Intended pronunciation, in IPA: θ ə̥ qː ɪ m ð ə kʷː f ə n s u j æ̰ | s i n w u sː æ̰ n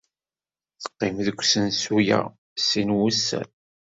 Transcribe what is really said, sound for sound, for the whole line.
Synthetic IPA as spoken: θ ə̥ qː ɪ m ð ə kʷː s ə n s u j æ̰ | s i n w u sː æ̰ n